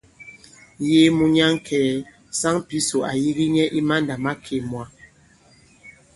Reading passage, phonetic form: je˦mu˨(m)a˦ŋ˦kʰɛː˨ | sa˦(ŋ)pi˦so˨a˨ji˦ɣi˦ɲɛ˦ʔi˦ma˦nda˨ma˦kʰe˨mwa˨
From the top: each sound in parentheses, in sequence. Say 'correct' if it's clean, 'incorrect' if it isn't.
incorrect, correct

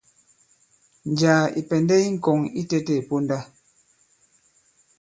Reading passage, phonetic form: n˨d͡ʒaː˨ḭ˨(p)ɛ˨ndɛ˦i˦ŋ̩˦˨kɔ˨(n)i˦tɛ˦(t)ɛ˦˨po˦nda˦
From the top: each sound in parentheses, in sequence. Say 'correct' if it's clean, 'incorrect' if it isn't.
correct, incorrect, correct

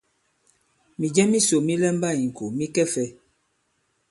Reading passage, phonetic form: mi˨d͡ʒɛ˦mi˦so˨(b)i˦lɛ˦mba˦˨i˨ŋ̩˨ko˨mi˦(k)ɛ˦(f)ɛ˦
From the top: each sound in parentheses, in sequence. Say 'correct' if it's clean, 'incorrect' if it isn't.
incorrect, correct, correct

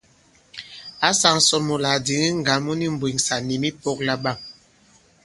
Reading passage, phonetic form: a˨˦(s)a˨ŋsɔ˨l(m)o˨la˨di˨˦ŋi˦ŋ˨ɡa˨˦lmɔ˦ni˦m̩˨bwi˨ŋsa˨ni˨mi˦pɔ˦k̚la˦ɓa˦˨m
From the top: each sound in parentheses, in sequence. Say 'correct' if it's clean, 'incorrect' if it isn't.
correct, correct

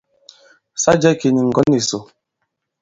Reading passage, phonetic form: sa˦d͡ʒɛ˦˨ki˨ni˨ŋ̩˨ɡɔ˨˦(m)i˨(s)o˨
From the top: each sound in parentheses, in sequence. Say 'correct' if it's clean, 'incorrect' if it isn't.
incorrect, correct

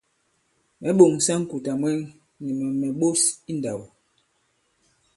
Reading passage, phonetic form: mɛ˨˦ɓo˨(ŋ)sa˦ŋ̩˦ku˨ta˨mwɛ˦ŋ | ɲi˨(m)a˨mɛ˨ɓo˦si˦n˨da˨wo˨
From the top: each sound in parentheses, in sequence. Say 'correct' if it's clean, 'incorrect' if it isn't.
correct, correct

